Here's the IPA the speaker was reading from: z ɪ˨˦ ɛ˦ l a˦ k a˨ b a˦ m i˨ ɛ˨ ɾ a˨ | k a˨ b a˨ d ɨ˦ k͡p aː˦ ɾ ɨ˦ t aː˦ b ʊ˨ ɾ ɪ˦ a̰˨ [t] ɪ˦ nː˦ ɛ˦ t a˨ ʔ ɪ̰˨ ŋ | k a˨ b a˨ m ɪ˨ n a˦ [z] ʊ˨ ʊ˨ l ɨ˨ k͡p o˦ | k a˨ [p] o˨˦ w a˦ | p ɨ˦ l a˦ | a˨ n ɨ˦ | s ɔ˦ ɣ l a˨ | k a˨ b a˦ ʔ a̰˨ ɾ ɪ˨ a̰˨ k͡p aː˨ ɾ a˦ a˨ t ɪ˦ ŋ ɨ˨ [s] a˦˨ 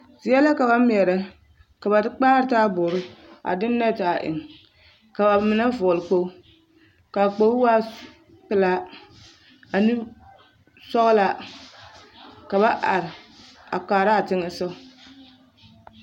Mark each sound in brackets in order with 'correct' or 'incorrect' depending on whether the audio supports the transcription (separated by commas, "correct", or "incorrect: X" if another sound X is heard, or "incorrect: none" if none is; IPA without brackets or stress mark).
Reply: incorrect: d, incorrect: v, incorrect: k͡p, correct